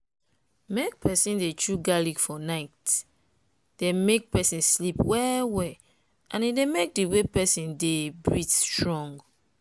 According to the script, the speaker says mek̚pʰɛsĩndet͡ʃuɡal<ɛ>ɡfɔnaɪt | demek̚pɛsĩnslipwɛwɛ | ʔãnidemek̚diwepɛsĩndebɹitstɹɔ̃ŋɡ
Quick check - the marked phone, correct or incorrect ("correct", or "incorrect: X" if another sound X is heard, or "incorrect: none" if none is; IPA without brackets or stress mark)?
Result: incorrect: i